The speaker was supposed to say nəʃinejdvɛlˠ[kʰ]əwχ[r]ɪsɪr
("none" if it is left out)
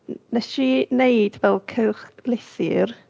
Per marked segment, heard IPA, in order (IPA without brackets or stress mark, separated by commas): kʰ, l